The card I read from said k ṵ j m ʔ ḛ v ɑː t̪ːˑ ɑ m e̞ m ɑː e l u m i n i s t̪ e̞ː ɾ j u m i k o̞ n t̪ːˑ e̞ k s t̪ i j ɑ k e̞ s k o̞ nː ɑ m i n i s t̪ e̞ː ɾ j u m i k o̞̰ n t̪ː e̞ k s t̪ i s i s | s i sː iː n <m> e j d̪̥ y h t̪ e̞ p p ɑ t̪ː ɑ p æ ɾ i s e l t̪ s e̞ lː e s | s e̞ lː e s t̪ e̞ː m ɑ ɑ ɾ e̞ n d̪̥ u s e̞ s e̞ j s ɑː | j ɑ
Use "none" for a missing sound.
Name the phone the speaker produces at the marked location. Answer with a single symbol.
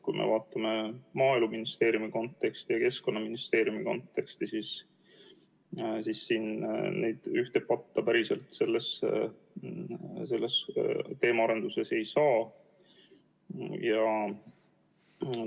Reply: n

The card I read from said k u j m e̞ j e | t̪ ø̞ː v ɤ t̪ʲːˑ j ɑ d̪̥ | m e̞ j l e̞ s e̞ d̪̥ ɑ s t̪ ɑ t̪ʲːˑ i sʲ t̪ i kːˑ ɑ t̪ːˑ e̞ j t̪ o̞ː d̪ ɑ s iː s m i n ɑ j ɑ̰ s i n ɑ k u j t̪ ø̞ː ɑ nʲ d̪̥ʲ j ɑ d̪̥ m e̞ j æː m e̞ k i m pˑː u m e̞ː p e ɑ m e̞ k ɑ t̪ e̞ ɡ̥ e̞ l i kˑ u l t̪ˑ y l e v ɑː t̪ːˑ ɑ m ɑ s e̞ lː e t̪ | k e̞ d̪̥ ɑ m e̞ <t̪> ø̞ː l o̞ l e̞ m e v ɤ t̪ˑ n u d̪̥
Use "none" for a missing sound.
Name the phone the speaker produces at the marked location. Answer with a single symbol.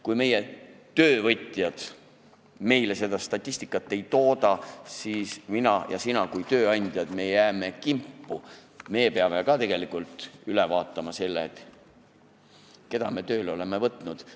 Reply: t̪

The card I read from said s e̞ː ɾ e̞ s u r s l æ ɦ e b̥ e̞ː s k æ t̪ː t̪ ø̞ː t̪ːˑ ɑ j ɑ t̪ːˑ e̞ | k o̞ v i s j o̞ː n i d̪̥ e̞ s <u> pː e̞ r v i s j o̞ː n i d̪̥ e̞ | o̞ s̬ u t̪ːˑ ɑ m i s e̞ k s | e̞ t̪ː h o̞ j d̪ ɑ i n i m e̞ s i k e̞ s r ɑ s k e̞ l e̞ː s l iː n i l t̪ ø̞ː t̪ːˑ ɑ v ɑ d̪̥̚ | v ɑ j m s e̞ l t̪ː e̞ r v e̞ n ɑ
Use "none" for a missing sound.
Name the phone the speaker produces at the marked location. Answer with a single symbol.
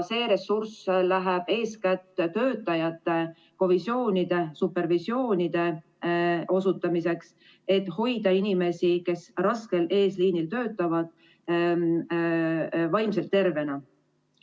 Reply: u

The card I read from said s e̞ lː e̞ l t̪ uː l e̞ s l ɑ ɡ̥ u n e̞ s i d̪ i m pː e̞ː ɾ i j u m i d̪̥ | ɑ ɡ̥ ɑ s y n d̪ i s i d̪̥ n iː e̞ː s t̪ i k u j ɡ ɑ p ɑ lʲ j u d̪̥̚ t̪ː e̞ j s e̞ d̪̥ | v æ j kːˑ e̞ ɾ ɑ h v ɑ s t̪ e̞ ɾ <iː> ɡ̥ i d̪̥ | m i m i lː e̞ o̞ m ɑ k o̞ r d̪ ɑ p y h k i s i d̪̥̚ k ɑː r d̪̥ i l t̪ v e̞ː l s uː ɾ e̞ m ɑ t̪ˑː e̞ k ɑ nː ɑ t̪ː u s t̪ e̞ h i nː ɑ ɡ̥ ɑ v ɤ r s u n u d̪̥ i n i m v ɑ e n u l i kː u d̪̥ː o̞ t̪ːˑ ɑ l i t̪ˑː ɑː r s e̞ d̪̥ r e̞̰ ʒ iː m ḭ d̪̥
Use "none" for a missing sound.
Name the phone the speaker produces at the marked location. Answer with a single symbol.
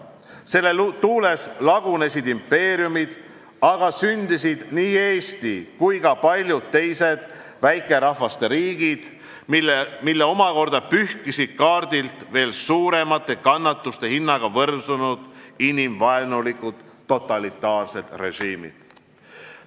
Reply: iː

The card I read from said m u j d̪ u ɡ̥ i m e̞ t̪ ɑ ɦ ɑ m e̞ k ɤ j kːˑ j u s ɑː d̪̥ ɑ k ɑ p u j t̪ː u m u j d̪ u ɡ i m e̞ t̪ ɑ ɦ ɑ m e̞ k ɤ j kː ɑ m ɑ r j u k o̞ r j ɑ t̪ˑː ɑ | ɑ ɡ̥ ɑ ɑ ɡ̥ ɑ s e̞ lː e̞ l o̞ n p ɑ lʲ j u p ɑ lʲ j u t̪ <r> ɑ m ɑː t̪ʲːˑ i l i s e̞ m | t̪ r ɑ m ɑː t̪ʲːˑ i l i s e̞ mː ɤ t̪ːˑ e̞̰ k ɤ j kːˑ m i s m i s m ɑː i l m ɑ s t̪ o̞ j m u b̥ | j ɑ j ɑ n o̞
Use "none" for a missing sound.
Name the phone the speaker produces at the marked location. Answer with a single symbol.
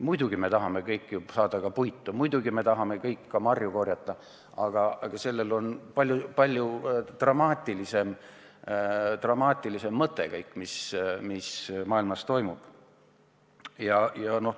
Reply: r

